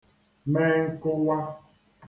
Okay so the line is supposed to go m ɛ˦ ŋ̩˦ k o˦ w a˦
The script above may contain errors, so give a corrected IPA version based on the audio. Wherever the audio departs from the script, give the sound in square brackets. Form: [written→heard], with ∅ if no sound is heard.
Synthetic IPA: m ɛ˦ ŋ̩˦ k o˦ w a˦